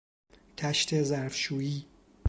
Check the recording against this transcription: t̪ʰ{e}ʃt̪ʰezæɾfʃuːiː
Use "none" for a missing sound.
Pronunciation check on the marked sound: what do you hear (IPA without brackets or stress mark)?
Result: æ